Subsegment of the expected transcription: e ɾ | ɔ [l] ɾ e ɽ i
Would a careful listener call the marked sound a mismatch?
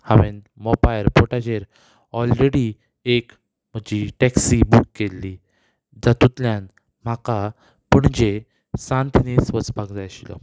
no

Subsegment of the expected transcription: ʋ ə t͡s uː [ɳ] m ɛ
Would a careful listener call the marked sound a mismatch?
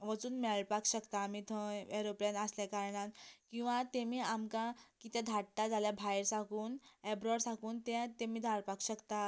yes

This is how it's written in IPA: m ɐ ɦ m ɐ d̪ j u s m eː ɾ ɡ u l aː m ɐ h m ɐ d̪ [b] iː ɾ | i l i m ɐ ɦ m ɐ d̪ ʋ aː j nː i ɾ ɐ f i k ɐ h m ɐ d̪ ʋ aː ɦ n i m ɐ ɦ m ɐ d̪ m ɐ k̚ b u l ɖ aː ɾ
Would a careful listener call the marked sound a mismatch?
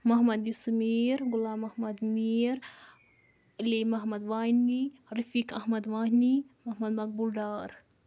yes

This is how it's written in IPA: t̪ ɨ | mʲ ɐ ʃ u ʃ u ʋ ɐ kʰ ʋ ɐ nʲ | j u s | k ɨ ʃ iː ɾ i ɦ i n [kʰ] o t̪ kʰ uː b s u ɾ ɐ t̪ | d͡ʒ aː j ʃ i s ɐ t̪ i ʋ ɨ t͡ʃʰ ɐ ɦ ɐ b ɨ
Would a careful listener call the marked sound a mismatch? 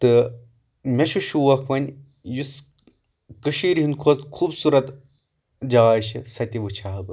no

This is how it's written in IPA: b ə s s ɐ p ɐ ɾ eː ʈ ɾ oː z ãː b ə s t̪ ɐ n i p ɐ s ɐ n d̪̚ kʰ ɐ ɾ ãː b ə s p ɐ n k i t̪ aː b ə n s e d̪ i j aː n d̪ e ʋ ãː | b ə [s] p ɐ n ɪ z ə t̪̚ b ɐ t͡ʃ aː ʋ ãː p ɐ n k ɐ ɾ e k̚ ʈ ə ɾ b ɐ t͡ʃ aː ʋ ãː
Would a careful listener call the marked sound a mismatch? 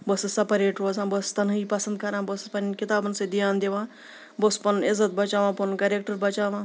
no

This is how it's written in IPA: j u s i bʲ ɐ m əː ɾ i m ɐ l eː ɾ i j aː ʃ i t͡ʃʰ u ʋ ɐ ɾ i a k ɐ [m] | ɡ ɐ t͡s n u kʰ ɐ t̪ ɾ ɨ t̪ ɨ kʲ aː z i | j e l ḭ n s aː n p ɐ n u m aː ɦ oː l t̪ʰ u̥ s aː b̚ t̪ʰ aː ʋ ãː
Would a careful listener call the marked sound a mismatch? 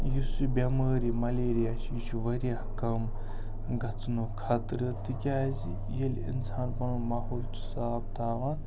no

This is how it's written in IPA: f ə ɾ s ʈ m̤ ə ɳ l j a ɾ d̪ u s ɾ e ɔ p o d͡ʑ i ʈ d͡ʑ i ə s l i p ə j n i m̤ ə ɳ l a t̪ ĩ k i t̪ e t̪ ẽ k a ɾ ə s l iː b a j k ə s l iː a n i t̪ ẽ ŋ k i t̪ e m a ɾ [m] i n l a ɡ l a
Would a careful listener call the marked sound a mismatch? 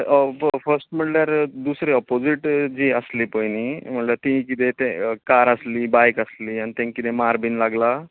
yes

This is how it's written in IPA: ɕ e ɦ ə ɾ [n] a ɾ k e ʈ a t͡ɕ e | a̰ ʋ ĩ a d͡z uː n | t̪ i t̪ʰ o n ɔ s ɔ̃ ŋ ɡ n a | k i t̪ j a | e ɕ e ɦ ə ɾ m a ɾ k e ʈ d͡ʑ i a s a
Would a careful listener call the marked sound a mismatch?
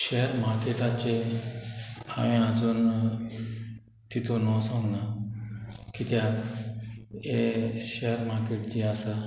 yes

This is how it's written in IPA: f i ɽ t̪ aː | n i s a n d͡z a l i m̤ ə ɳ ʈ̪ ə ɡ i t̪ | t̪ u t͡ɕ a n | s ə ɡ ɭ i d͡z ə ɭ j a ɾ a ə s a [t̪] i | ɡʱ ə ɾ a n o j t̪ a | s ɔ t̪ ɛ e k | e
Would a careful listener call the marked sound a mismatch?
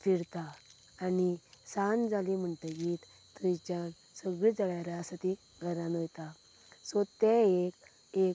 no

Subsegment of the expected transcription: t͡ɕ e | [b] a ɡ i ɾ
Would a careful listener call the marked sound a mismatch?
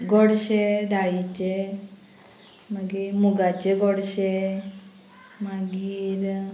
yes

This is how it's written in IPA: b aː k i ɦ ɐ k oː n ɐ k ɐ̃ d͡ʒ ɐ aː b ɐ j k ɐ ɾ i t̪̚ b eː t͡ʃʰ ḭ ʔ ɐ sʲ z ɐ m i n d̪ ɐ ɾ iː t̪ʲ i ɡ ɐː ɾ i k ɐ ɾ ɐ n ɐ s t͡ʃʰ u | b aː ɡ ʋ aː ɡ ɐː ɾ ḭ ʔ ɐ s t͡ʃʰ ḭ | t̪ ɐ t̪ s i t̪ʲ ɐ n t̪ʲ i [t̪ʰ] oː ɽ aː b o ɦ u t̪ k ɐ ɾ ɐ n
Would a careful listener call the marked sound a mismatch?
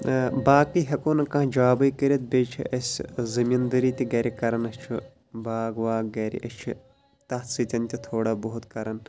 no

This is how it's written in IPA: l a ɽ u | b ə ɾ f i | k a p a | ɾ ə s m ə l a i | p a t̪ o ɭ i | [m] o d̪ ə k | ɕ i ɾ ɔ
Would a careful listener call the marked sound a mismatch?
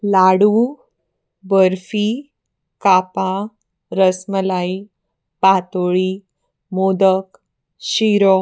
no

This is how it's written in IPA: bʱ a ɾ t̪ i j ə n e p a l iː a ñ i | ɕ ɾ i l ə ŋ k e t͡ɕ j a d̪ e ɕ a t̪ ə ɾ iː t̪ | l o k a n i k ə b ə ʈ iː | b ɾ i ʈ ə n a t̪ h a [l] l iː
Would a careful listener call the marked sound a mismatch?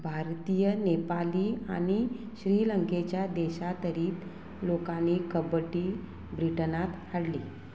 yes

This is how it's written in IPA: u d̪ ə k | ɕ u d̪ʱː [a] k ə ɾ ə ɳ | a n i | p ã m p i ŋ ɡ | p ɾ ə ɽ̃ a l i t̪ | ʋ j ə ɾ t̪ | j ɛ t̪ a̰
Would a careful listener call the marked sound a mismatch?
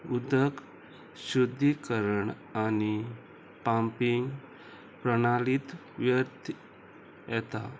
yes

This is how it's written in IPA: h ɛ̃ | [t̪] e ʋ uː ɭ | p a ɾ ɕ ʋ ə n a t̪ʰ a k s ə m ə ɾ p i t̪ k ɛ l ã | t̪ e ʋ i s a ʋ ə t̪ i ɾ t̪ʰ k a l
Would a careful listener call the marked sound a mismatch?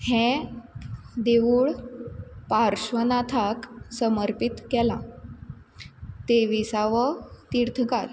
yes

